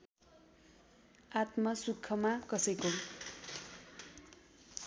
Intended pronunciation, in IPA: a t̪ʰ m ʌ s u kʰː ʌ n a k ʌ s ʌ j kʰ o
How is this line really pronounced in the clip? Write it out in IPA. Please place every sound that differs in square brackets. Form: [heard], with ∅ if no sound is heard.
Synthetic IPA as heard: a [t̪] m ʌ s u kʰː ʌ [m] a k ʌ s ʌ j [k] o